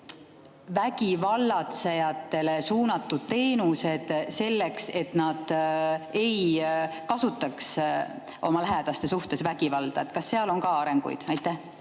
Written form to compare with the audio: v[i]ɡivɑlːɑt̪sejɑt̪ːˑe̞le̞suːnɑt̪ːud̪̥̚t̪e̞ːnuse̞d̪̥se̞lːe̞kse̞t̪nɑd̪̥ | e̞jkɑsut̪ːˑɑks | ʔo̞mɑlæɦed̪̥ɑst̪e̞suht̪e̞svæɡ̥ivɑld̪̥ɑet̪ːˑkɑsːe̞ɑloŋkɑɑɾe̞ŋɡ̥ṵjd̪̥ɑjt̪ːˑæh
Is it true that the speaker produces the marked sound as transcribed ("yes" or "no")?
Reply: no